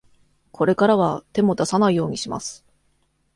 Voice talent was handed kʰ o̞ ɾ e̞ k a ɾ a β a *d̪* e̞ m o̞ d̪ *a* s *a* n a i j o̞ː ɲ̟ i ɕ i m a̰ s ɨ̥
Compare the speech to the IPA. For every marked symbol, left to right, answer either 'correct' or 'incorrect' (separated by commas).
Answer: incorrect, correct, correct